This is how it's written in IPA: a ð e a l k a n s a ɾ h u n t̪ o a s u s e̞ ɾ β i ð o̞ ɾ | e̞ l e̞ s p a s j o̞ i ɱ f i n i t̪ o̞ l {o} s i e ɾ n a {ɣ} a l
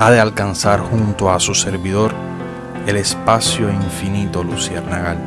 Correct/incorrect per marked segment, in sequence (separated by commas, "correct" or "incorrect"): incorrect, correct